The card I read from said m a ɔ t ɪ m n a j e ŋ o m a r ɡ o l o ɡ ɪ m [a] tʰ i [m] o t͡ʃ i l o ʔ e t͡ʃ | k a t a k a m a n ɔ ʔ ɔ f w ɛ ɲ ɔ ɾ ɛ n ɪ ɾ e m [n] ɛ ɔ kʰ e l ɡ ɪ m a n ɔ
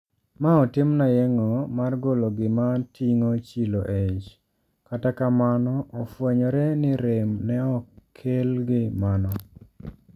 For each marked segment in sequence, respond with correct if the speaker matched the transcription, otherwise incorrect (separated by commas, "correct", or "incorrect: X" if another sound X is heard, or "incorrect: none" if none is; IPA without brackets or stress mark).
correct, incorrect: ŋ, correct